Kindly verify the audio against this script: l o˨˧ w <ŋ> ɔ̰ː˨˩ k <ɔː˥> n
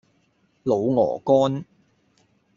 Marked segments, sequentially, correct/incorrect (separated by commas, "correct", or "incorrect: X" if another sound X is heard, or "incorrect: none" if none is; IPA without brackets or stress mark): correct, correct